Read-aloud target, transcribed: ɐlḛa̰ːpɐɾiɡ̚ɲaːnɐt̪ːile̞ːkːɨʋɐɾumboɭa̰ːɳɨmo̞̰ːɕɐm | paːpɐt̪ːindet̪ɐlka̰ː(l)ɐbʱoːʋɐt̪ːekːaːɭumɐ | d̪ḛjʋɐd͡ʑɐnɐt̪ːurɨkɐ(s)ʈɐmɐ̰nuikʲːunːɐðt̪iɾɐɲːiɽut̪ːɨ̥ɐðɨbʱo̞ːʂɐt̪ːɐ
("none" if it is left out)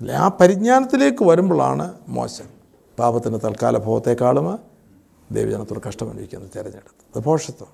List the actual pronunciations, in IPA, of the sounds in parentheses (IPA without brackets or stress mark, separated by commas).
l, ʂ